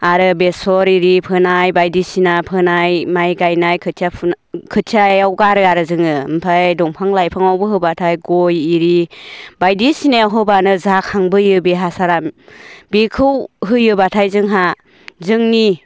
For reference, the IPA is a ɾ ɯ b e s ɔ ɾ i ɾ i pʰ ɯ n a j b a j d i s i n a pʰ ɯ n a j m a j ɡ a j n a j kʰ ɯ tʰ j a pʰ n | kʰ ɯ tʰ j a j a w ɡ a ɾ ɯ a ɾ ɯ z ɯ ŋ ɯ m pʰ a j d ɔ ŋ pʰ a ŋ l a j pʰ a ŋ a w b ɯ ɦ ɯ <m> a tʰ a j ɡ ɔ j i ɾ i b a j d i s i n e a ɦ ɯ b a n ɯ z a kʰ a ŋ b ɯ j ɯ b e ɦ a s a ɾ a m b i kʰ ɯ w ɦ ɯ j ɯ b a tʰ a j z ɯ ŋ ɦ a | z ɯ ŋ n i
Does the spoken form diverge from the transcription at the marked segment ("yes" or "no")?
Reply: yes